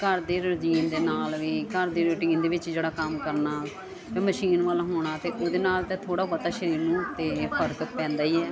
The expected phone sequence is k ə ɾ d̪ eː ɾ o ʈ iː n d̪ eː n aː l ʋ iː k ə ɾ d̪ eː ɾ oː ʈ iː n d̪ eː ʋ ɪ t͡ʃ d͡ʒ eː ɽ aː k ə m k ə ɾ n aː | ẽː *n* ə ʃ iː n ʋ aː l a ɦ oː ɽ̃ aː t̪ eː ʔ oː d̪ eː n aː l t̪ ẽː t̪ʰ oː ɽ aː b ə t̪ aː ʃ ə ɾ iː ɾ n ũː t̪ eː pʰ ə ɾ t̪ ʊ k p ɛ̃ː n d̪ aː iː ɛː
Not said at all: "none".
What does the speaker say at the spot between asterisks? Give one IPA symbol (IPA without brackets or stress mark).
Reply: m